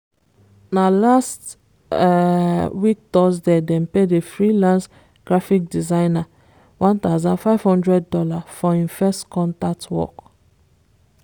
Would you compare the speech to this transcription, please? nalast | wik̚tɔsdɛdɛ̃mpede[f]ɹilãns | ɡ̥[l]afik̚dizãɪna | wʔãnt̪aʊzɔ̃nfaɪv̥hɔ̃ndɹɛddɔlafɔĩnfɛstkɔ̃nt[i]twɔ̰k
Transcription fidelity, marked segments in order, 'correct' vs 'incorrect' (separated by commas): correct, incorrect, incorrect